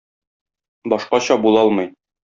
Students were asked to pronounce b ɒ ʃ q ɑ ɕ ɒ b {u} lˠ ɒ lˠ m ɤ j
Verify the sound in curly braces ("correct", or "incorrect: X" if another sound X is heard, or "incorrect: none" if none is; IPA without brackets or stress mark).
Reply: correct